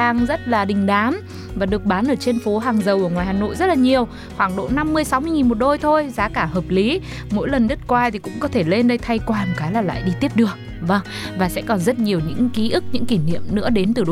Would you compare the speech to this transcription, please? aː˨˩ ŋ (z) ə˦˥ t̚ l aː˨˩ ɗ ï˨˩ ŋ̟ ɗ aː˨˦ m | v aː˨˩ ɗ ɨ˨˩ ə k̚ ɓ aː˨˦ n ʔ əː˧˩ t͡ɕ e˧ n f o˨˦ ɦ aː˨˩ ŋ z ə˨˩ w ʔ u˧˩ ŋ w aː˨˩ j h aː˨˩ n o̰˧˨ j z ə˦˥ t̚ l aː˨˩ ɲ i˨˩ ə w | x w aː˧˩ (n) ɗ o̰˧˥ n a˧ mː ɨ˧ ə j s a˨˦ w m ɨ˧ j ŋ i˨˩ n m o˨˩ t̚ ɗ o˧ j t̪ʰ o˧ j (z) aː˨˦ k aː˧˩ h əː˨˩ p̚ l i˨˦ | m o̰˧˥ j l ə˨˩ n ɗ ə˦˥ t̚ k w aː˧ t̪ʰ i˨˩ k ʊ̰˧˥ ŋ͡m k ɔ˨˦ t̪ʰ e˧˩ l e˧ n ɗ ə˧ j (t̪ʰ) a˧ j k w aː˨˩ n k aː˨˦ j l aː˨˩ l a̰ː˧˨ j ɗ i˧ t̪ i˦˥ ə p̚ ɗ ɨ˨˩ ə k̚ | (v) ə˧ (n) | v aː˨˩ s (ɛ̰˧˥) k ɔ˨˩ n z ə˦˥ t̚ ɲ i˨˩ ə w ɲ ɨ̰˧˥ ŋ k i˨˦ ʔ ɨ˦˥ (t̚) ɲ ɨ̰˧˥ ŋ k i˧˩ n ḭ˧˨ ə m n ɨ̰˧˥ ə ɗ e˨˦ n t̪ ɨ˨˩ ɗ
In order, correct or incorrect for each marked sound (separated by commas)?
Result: correct, incorrect, correct, correct, correct, incorrect, correct, incorrect